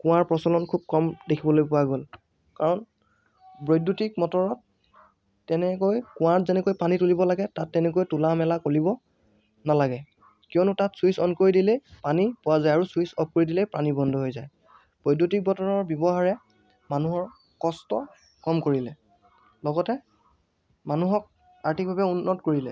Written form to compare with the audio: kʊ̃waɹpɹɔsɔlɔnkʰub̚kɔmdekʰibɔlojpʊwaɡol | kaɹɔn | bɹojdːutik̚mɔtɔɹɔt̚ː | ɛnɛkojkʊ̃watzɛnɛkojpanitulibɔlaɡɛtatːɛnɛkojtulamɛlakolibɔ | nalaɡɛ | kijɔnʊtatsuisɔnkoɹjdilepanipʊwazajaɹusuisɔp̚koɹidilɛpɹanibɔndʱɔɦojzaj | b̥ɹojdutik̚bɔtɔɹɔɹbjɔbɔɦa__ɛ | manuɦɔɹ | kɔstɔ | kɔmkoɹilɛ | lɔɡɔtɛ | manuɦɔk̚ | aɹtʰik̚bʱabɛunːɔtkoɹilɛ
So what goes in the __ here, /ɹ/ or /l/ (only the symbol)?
ɹ